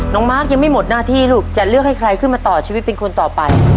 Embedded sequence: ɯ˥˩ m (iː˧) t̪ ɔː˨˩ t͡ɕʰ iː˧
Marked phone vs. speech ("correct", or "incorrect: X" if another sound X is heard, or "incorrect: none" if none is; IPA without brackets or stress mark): incorrect: aː˧